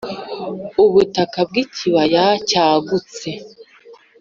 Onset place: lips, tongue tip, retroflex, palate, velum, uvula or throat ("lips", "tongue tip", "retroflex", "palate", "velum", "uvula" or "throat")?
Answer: lips